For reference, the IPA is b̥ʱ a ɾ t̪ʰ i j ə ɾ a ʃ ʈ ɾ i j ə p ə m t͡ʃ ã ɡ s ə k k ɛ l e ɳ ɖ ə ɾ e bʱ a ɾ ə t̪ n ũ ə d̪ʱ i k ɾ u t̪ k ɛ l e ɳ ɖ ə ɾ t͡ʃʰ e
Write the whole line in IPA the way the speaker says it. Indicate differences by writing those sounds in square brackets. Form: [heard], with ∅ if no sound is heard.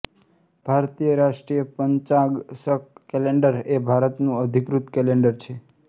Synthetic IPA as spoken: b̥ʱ a ɾ [t̪] i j ə ɾ a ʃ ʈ ɾ i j ə p ə [ɲ] t͡ʃ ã ɡ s ə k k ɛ l e ɳ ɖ ə ɾ e bʱ a ɾ ə t̪ n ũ ə d̪ʱ i k ɾ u t̪ k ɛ l e ɳ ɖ ə ɾ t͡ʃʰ e